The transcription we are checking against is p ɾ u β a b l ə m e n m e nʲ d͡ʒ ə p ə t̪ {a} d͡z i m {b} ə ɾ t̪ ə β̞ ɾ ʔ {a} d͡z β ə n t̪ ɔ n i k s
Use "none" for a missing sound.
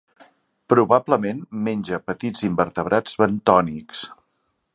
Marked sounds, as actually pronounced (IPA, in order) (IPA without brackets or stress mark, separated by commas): i, b, a